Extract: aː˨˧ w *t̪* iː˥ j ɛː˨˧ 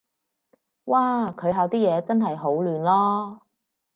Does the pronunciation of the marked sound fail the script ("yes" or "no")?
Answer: no